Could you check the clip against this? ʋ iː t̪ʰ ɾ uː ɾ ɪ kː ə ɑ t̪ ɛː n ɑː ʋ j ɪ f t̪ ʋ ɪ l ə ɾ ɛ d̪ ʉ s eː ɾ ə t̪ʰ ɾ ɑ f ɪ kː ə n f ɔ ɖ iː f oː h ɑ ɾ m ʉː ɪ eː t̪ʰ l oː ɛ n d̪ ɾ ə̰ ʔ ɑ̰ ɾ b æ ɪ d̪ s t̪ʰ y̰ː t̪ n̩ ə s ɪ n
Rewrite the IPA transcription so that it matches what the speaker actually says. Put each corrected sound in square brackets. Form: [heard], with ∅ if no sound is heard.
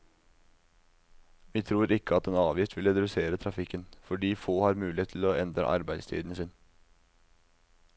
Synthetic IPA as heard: ʋ iː t̪ʰ ɾ uː ɾ ɪ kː ə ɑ t̪ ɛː n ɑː ʋ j ɪ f t̪ ʋ ɪ l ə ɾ ɛ d̪ ʉ s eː ɾ ə t̪ʰ ɾ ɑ f ɪ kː ə n f ɔ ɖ iː f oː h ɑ ɾ m ʉː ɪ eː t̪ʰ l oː ɛ n d̪ ɾ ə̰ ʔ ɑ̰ ɾ b æ ɪ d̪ s t̪ʰ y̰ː [d̪] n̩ ə s ɪ n